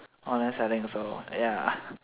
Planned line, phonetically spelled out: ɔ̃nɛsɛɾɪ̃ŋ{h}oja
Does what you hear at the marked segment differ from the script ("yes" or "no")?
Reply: yes